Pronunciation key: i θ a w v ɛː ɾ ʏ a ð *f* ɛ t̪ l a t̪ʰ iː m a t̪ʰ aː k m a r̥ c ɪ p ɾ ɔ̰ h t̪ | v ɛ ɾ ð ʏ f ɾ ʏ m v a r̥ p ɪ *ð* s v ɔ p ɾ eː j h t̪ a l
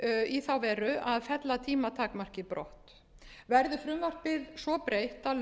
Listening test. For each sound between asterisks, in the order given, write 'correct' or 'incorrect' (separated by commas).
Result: correct, correct